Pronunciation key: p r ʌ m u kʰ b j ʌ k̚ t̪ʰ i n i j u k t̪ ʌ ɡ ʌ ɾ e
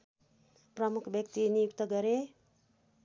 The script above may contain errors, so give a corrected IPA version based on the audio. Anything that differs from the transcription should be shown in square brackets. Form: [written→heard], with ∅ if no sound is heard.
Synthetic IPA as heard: p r ʌ m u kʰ b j ʌ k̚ [t̪ʰ→t̪] i n i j u k t̪ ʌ ɡ ʌ ɾ e